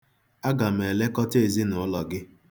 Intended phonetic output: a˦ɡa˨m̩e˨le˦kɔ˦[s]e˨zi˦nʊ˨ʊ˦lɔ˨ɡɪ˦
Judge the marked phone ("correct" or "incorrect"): incorrect